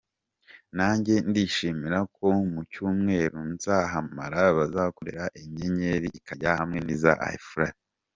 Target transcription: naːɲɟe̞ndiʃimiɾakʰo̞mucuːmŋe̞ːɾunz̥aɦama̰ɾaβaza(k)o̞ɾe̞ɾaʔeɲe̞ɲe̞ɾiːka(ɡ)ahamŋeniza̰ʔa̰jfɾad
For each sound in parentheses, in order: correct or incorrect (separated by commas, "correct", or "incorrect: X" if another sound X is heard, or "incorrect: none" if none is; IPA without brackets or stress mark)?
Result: correct, incorrect: ɟ